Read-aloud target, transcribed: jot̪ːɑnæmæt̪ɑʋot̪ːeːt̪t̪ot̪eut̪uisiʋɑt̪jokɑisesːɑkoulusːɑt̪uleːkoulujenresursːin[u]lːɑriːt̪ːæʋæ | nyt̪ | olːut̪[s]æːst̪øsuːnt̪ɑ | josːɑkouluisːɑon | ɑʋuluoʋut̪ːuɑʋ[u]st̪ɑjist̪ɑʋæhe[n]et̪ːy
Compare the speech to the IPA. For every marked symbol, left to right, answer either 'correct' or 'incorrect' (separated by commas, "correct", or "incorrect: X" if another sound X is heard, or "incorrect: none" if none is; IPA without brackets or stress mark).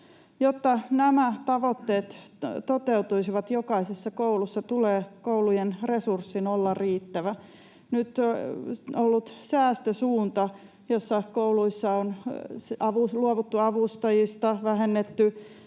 incorrect: o, correct, correct, incorrect: nː